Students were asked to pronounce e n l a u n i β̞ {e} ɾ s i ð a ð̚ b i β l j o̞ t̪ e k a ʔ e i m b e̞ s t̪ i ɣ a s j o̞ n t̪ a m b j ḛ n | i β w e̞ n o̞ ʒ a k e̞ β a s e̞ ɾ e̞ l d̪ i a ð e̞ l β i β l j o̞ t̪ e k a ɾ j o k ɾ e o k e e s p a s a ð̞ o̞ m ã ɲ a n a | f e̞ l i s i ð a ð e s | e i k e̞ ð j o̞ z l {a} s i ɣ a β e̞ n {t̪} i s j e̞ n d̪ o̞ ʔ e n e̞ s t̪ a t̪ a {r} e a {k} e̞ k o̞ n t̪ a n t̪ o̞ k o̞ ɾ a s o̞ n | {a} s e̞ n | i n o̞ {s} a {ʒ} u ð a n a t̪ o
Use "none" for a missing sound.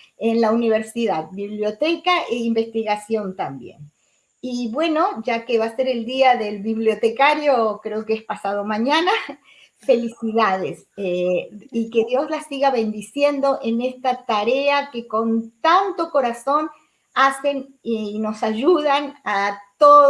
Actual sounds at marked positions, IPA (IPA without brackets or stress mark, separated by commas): e, a, d̪, ɾ, k, a, s, ʒ